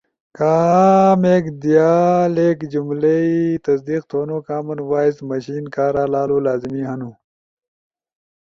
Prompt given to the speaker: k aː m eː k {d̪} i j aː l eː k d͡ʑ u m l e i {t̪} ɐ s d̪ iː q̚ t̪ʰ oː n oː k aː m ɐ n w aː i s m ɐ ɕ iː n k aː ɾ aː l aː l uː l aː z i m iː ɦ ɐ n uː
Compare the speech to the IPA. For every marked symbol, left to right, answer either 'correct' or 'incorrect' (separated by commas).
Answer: correct, correct